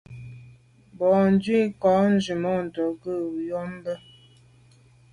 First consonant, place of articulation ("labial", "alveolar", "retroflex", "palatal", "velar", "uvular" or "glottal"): labial